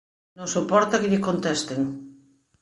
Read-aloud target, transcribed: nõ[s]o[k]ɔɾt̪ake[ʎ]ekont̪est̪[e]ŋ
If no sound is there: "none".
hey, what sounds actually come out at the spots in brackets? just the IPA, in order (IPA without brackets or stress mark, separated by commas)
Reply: s, p, ʎ, e